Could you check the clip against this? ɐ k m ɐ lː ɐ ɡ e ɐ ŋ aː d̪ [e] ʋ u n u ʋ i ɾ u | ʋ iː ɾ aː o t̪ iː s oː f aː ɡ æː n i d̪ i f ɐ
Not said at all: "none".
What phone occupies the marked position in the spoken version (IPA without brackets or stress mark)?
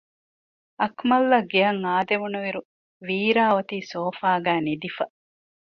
e